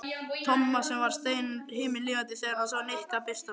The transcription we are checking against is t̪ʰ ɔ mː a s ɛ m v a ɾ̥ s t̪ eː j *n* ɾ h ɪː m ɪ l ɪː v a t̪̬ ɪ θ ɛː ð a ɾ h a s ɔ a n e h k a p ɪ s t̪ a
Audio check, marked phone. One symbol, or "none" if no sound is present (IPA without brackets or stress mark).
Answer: n